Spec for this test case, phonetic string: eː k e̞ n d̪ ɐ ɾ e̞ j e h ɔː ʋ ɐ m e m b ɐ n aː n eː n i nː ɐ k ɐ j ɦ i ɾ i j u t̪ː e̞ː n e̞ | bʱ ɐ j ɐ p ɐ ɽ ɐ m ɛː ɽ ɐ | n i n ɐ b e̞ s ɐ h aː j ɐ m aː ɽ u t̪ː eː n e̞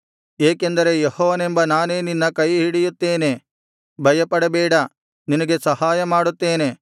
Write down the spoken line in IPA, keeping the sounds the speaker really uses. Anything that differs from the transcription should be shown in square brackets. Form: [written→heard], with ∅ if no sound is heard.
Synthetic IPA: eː k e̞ n d̪ ɐ ɾ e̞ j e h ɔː ʋ ɐ [m→n] e m b ɐ n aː n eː n i nː ɐ k ɐ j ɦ i [ɾ→ɽ] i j u t̪ː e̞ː n e̞ | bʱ ɐ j ɐ p ɐ ɽ ɐ [m→b] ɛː ɽ ɐ | n i n ɐ [b→ɡ] e̞ s ɐ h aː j ɐ m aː ɽ u t̪ː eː n e̞

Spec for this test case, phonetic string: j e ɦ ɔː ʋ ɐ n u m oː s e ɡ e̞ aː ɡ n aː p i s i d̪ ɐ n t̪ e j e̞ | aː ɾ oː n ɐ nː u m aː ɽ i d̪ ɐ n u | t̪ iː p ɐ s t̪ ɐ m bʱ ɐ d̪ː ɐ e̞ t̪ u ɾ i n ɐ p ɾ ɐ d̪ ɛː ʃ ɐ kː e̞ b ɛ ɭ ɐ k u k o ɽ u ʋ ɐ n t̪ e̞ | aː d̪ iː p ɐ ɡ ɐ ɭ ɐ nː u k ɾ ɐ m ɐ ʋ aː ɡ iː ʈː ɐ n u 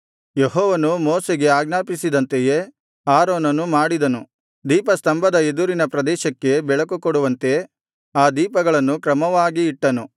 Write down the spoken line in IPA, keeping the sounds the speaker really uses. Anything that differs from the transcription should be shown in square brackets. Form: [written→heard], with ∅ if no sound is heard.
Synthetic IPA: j e ɦ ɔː ʋ ɐ n u m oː s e ɡ e̞ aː ɡ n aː p i s i d̪ ɐ n t̪ e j e̞ | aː ɾ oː n ɐ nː u m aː ɽ i d̪ ɐ n u | [t̪→d̪] iː p ɐ s t̪ ɐ m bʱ ɐ [d̪ː→d̪] ɐ e̞ [t̪→d̪] u ɾ i n ɐ p ɾ ɐ d̪ ɛː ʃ ɐ kː e̞ b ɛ ɭ ɐ k u k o ɽ u ʋ ɐ n t̪ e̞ | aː d̪ iː p ɐ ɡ ɐ ɭ ɐ nː u k ɾ ɐ m ɐ ʋ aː ɡ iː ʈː ɐ n u

